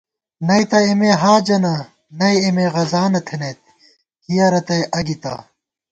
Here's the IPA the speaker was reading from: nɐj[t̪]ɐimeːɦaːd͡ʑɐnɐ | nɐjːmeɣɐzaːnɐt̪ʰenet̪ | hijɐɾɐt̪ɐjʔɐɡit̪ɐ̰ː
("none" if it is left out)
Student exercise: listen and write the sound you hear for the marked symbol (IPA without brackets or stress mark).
t̪